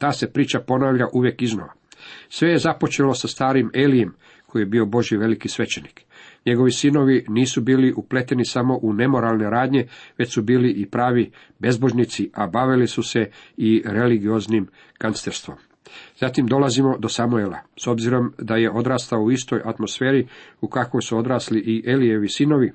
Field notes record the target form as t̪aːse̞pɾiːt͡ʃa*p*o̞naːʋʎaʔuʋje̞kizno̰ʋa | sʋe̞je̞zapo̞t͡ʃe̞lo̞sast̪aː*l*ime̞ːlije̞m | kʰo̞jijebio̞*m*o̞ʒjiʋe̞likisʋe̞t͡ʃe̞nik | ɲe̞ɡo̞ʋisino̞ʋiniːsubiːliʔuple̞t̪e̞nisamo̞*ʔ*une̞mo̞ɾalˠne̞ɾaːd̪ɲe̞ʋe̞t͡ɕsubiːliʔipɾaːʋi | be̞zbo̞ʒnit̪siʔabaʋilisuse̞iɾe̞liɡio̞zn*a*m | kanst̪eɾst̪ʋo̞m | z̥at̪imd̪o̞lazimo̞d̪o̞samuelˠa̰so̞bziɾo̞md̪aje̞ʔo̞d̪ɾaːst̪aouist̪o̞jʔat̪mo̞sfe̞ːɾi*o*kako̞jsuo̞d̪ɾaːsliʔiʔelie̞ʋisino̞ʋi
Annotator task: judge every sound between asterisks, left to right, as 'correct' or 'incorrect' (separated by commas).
correct, incorrect, incorrect, correct, incorrect, incorrect